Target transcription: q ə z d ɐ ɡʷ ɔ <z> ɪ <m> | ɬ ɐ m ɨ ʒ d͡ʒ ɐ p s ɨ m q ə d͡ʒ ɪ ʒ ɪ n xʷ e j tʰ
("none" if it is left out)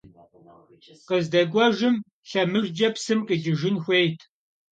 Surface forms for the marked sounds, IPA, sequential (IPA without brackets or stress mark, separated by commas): ʒ, m